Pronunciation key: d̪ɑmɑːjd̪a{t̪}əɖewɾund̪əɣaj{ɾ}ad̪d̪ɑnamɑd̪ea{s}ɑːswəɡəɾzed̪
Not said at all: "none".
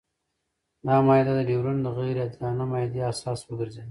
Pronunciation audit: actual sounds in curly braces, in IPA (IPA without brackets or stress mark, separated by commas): d̪, ɾ, s